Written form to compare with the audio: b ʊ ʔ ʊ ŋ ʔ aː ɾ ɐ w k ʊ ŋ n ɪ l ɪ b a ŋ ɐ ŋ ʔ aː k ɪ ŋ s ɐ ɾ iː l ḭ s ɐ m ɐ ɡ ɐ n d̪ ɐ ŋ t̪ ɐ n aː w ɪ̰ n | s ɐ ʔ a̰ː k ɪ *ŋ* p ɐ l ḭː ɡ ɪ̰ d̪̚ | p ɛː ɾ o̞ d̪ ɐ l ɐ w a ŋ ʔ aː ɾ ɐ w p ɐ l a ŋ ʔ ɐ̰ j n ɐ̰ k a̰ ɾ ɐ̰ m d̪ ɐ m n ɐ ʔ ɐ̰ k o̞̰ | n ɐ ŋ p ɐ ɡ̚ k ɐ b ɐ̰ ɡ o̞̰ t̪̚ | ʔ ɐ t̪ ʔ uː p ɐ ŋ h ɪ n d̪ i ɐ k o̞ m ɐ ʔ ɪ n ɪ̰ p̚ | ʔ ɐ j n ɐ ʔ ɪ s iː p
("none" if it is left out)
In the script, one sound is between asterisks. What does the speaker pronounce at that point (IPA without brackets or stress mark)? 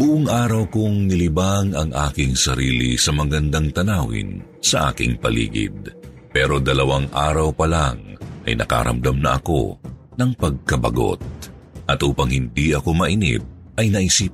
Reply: ŋ